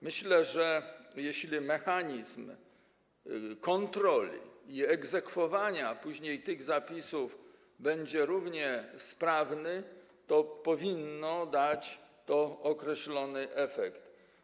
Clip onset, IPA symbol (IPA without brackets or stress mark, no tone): m